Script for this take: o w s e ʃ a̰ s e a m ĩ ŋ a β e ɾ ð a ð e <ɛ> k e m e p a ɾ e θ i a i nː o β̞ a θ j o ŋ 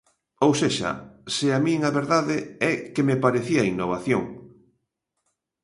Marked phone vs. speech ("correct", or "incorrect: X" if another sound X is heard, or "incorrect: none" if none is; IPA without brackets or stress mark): correct